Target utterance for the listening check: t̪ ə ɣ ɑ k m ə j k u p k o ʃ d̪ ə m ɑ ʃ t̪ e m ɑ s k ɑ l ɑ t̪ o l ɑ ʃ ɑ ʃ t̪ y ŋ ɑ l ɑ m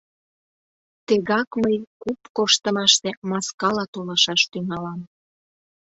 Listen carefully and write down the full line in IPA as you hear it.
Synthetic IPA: t̪ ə ɣ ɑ k m ə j k u p k o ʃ t̪ ə m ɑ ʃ t̪ e m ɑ s k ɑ l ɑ t̪ o l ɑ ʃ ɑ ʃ t̪ y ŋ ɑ l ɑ m